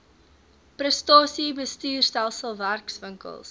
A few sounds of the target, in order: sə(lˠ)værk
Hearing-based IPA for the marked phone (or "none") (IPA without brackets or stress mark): lˠ